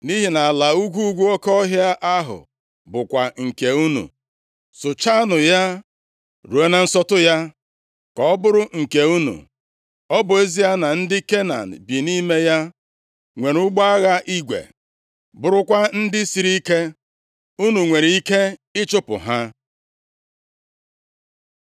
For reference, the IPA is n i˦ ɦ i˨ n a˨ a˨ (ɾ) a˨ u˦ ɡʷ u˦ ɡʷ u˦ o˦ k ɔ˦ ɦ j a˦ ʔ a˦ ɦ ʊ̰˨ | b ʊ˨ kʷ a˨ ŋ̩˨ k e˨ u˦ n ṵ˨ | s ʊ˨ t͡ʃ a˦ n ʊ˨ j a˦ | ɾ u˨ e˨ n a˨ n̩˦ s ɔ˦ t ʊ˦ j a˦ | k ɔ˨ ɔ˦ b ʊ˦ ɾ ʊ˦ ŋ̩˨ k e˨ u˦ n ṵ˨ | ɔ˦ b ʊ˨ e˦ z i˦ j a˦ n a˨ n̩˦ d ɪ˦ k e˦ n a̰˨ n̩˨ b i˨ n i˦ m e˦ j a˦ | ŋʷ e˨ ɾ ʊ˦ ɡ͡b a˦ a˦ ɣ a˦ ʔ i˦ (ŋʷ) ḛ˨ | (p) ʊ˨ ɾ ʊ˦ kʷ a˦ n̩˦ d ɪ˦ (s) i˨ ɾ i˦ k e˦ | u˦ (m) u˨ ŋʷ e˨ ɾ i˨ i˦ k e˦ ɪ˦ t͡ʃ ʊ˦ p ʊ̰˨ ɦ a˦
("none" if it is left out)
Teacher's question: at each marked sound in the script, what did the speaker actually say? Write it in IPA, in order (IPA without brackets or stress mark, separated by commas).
l, ɡʷ, b, s, n